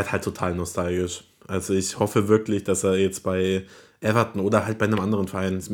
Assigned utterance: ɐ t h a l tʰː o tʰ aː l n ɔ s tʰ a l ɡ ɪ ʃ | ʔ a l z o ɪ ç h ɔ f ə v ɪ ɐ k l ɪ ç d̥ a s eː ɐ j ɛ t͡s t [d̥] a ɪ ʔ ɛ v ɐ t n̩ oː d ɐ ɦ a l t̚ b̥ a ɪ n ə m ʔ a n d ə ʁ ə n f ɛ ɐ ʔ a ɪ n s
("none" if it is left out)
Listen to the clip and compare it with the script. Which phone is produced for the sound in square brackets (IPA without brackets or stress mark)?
b̥